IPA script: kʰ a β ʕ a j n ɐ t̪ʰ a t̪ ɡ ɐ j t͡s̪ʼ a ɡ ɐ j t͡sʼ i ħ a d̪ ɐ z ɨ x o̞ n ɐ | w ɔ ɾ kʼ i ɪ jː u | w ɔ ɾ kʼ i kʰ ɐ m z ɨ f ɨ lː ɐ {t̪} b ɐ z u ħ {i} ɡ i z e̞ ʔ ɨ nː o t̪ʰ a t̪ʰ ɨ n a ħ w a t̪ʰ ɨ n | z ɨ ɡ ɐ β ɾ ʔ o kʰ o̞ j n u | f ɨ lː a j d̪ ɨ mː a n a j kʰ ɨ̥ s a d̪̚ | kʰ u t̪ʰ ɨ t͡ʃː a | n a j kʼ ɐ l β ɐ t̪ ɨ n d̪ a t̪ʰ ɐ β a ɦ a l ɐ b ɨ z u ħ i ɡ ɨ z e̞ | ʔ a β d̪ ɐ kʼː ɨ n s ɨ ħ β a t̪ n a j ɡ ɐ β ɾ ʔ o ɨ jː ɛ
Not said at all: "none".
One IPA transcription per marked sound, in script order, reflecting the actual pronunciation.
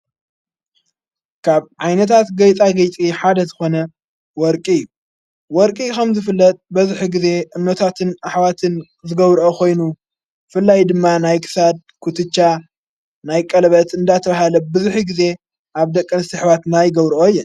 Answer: t̪ʼ, i

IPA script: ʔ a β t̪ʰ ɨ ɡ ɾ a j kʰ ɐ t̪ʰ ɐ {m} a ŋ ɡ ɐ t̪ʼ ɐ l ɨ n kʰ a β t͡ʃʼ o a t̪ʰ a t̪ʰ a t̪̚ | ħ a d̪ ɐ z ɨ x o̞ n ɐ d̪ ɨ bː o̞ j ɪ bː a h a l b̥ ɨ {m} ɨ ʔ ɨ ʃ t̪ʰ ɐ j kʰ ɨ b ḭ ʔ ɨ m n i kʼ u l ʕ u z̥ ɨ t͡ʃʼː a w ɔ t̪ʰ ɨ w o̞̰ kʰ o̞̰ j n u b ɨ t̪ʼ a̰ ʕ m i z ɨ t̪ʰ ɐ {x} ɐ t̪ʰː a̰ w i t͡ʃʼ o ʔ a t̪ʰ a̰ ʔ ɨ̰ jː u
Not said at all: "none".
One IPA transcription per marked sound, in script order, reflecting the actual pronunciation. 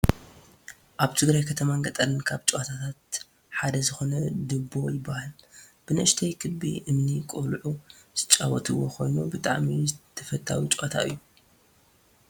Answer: m, n, f

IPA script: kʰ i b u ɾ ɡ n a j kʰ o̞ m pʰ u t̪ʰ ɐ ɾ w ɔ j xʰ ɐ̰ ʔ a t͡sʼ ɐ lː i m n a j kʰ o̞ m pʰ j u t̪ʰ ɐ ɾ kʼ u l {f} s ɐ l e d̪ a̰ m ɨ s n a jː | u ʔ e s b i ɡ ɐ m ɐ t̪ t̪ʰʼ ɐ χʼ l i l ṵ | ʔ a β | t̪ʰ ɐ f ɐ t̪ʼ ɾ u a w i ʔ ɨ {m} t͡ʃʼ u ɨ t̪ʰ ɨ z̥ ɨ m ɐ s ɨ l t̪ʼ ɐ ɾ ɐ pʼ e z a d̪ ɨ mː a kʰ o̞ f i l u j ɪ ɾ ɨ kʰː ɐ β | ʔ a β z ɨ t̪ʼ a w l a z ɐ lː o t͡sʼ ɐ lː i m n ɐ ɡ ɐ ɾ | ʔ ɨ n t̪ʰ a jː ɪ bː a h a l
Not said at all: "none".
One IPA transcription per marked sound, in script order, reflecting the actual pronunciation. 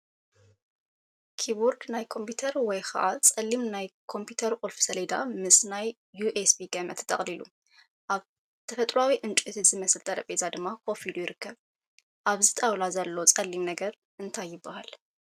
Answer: f, n

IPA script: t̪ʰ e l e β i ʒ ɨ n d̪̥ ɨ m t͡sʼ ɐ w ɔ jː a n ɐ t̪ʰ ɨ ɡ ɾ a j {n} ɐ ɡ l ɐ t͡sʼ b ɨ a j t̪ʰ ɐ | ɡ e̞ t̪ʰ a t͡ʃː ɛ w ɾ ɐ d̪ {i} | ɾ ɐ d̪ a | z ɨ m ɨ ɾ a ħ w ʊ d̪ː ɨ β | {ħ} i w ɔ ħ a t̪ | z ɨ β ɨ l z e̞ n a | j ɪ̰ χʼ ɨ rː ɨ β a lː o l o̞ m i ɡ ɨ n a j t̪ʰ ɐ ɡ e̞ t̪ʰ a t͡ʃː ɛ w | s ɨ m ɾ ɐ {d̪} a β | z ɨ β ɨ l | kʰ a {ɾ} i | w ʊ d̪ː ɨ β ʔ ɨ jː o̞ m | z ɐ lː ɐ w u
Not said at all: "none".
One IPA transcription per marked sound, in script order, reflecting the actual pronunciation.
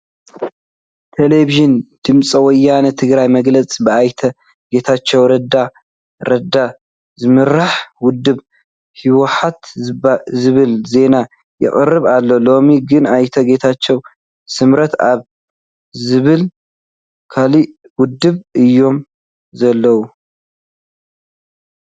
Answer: m, a, h, t̪, l

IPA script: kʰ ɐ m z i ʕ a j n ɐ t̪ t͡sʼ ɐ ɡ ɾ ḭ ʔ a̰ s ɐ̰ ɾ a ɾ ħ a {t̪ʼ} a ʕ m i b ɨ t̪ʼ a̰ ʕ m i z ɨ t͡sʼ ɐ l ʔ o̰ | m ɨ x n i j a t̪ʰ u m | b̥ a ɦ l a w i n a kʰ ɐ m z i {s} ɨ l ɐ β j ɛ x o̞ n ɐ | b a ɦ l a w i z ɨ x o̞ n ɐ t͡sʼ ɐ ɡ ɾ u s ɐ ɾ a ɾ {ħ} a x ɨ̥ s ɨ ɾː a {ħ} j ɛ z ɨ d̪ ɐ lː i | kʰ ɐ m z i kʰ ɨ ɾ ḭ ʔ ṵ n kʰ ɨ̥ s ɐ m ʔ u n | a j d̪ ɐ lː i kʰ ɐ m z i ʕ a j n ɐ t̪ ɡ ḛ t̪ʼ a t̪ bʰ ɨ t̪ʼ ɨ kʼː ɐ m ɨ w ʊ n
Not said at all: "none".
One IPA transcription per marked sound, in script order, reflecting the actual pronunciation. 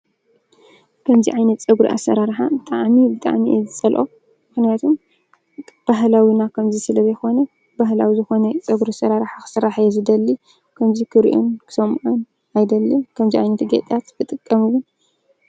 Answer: t̪ʼ, s, ħ, ħ

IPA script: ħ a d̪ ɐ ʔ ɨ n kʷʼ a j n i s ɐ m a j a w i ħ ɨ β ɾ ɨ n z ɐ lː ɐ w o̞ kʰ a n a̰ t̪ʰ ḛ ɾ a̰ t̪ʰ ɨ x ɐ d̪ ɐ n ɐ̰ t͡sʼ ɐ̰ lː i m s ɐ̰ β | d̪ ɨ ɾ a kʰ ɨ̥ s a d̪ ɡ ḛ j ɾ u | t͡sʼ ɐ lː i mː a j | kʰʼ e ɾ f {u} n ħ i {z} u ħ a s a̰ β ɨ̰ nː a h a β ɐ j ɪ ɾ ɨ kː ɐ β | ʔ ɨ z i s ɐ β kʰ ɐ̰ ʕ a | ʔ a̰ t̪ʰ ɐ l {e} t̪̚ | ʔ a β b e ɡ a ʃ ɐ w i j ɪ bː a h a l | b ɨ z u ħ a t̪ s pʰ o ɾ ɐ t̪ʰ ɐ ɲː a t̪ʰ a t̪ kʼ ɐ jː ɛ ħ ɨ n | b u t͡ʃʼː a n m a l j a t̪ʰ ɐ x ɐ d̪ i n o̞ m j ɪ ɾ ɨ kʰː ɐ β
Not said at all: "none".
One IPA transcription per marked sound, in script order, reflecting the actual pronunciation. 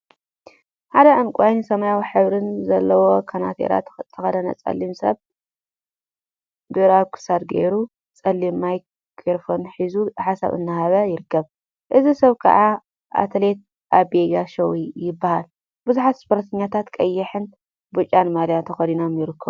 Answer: o, z, e

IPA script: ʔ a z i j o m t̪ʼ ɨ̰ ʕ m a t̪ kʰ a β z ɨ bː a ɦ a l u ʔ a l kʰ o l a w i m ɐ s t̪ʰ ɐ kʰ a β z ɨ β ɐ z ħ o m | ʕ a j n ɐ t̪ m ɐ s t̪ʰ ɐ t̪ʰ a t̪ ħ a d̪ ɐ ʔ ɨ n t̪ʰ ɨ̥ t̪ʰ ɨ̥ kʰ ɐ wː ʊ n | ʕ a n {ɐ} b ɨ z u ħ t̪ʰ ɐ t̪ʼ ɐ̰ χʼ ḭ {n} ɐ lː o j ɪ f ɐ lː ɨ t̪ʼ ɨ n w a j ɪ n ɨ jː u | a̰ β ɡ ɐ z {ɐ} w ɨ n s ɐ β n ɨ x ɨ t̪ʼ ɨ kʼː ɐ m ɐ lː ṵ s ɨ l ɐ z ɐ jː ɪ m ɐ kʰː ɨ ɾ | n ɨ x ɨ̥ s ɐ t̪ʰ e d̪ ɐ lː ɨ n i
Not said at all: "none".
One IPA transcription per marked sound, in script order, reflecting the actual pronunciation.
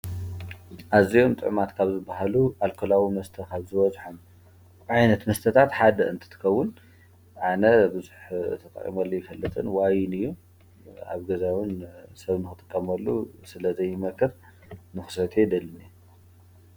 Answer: ɐ, m, a

